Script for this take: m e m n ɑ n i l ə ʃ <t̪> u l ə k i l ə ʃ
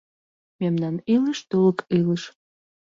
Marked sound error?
no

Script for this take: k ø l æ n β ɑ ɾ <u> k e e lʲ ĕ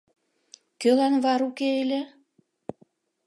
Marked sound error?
no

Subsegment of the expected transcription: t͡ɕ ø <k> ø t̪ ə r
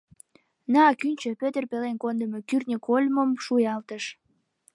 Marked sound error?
yes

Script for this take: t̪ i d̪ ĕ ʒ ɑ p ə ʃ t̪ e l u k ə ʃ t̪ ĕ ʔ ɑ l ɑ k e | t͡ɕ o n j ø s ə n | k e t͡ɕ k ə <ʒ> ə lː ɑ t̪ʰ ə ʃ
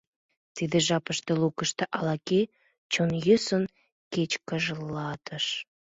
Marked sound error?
no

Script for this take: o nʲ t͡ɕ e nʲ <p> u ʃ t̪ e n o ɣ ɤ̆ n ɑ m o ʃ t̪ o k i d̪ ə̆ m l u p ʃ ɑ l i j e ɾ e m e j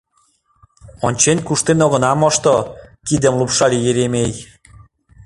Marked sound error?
yes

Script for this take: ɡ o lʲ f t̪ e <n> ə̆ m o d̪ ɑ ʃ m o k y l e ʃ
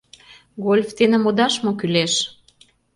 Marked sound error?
no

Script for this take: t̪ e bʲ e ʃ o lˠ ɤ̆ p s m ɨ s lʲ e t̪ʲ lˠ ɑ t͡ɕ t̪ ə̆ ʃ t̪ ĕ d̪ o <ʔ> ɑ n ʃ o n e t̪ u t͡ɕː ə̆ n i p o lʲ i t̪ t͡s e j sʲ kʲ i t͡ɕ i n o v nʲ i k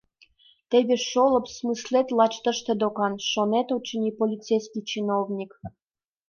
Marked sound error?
yes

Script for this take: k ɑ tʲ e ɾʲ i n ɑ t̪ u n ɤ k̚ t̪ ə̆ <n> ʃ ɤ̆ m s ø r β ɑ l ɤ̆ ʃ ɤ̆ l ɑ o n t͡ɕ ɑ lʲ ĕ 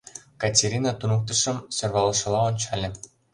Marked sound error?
yes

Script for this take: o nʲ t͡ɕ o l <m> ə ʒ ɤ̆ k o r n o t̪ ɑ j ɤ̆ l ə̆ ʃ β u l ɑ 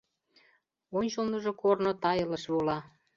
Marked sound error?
yes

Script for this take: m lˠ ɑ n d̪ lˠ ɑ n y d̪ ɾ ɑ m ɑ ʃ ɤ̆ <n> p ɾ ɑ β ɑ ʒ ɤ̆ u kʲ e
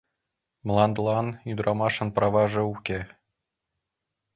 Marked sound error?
no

